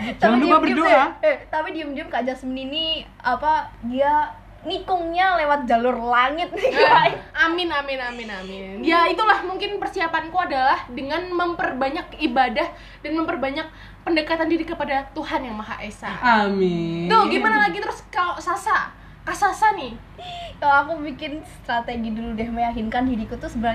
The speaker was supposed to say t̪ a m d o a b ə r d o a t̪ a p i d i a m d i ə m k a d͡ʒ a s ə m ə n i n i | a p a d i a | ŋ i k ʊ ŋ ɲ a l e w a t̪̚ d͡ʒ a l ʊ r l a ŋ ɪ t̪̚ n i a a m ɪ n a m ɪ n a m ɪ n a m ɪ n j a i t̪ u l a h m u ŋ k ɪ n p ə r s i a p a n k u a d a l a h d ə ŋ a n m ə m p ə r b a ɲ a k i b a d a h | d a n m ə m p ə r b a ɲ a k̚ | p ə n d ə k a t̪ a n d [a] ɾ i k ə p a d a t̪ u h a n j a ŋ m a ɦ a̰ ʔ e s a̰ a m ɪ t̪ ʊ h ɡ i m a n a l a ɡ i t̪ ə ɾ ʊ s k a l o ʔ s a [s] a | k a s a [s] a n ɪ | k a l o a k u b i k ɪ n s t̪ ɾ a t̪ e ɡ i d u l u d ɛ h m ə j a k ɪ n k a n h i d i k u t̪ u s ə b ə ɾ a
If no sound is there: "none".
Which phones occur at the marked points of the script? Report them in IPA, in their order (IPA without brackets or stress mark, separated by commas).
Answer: i, s, s